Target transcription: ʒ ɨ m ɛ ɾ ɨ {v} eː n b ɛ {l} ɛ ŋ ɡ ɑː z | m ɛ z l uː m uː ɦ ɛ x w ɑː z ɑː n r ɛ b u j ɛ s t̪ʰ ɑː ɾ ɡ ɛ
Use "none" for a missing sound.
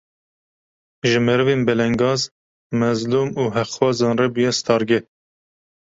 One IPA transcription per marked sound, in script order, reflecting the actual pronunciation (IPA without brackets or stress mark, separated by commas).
v, l